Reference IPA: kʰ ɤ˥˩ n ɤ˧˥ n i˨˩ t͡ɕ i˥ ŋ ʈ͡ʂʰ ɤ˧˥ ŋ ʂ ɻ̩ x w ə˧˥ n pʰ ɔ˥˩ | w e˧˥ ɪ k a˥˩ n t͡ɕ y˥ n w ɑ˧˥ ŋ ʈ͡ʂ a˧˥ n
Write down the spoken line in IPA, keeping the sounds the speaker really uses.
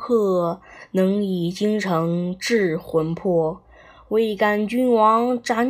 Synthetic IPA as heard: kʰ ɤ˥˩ n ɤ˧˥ ŋ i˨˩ t͡ɕ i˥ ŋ ʈ͡ʂʰ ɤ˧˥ ŋ ʈ͡ʂ ɻ̩ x w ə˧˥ n pʰ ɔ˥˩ | w e˥˩ ɪ k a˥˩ n t͡ɕ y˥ n w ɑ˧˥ ŋ ʈ͡ʂ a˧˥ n